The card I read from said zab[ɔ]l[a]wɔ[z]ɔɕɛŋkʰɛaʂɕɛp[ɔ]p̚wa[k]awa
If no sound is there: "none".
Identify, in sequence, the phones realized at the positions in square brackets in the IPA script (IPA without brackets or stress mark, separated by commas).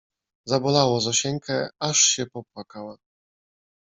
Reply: ɔ, a, z, ɔ, k